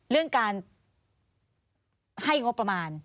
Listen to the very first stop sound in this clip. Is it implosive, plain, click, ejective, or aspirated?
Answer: plain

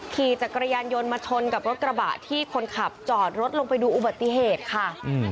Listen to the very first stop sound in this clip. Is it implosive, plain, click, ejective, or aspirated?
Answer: aspirated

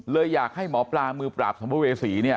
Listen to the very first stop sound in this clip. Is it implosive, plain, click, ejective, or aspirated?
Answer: plain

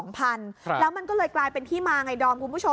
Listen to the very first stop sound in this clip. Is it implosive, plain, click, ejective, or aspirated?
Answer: aspirated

